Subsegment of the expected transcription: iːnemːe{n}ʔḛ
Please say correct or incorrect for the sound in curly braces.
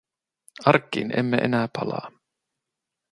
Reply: incorrect: none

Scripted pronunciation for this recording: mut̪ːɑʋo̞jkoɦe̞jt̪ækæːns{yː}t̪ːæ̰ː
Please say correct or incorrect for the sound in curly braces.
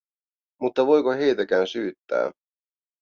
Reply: correct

